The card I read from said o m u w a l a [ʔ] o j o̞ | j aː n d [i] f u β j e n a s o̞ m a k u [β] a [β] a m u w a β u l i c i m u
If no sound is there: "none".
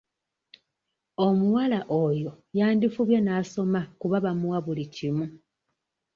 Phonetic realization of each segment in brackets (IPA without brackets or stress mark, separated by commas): ʔ, i, β, β